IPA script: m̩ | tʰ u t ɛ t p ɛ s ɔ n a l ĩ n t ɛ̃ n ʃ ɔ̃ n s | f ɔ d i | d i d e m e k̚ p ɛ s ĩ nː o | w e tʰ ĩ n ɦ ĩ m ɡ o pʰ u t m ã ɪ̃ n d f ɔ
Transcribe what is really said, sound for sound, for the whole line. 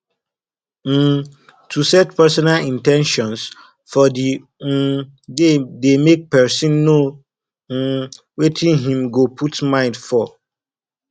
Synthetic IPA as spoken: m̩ | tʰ u s ɛ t p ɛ s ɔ n a l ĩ n t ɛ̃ n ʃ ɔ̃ n s | f ɔ d i | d e d e m e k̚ p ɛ s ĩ nː o | w e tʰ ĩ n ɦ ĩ m ɡ o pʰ u t m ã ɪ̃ n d f ɔ

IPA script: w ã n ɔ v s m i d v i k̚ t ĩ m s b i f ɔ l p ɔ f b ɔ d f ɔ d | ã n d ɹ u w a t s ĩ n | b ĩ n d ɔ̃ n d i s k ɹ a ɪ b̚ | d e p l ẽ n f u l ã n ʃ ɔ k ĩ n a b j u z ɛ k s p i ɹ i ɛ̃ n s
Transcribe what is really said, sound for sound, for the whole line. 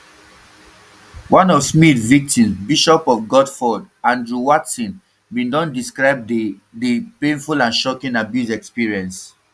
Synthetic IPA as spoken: w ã n ɔ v s m i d v i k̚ t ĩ m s b i ʃ ɔ p ɔ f ɡ ɔ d f ɔ d | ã n d ɹ u w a t s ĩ n | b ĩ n d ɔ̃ n d i s k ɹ a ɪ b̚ | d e p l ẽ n f u l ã n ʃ ɔ k ĩ n a b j u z ɛ k s p i ɹ i ɛ̃ n s

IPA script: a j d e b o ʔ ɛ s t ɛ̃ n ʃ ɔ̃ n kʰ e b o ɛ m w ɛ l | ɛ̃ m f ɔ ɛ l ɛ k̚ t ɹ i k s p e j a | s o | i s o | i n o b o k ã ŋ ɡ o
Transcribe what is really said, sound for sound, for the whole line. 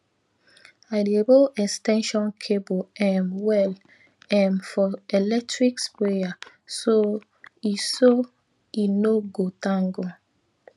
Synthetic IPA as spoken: a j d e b o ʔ ɛ s t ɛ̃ n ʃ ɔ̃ n kʰ e b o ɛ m w ɛ l | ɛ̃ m f ɔ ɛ l ɛ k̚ t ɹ i k s p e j a | s o | i s o | i n o ɡ o t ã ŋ ɡ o

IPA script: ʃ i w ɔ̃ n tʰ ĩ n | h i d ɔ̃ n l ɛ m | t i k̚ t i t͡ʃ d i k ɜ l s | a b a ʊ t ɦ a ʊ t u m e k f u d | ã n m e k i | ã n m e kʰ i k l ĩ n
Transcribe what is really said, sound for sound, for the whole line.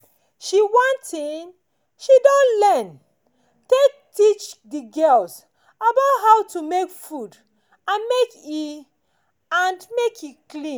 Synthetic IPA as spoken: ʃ i w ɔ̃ n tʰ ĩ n | ʃ i d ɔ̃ n l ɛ n | t e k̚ t i t͡ʃ d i ɡ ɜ l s | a b a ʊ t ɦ a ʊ t u m e k f u d | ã n m e k i | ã n m e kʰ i k l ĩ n

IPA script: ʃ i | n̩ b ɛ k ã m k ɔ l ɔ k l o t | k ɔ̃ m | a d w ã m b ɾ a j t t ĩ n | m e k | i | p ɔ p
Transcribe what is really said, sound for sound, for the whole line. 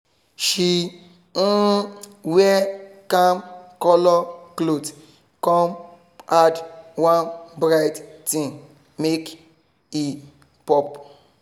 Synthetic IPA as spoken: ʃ i | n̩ w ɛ k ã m k ɔ l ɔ k l o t | k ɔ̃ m | a d w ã n b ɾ a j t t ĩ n | m e k | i | p ɔ p

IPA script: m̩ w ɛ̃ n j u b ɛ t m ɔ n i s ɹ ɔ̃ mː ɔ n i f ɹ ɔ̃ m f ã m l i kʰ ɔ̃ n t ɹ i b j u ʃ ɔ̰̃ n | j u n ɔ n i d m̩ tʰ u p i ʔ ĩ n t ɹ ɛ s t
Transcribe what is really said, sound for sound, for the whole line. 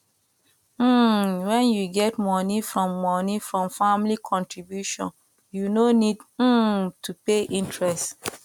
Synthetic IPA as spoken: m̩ w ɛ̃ n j u ɡ ɛ t m ɔ n i f ɹ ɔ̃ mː ɔ n i f ɹ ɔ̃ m f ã m l i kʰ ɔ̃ n t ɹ i b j u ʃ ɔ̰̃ n | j u n o n i d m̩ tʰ u p e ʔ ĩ n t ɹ ɛ s t

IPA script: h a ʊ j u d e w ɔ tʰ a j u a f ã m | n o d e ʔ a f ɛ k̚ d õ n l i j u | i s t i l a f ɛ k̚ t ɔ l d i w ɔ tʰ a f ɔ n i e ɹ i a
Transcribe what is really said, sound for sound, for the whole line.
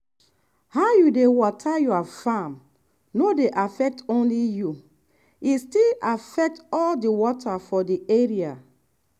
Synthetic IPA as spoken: h a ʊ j u d e w ɔ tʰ a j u a f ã m | n o d e ʔ a f ɛ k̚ t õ n l i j u | i s t i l a f ɛ k̚ t ɔ l d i w ɔ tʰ a f ɔ d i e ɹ i a

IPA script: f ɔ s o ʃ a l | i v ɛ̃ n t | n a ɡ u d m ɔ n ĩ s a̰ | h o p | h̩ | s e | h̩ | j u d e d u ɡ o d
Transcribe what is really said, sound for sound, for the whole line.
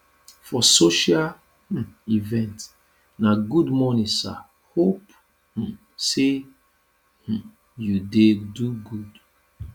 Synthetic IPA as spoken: f ɔ s o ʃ a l | i v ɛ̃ n t | n a ɡ u d m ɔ n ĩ s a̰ | h o p | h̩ | s e | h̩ | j u d e d u ɡ u d

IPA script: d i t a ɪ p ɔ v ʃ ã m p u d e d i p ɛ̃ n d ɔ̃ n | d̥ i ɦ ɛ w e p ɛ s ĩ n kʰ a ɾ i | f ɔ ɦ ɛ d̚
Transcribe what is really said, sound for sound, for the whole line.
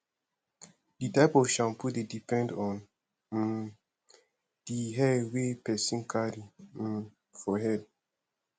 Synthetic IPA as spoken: d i t a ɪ p ɔ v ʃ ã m p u d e d i p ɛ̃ n d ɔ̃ n | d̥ i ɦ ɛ w e p ɛ s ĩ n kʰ a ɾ i | f ɔ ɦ ɛ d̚

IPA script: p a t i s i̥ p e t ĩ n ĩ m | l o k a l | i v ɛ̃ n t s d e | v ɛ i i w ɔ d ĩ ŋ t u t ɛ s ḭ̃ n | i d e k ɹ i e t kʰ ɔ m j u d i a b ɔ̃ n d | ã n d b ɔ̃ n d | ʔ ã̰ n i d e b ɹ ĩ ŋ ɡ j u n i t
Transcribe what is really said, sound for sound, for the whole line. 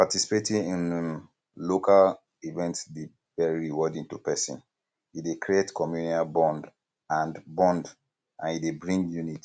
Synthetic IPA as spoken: p a t i s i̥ p e t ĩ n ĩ n | l o k a l | i v ɛ̃ n t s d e | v ɛ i i w ɔ d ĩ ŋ t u p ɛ s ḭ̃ n | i d e k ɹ i e t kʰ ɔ m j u n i a b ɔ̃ n d | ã n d b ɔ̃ n d | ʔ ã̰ n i d e b ɹ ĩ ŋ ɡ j u n i t

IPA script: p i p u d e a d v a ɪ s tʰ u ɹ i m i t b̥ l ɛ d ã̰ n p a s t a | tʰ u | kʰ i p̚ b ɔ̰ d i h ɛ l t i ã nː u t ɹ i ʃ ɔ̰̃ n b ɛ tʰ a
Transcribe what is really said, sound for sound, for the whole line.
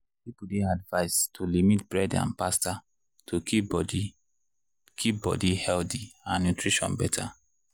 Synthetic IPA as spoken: p i p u d e a d v a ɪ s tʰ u l i m i t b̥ ɹ ɛ d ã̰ n p a s t a | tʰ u | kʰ i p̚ b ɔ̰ d i h ɛ l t i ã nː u t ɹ i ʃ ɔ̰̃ n b ɛ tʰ a

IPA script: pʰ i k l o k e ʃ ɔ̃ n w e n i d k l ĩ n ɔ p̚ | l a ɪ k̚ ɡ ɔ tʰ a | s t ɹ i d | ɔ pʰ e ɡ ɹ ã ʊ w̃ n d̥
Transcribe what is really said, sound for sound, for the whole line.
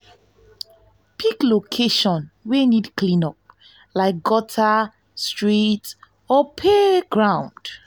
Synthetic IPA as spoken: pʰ i k l o kʰ e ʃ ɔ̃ n w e n i d k l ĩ n ɔ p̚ | l a ɪ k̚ ɡ ɔ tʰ a | s t ɹ i t | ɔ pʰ e ɡ ɹ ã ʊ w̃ n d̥

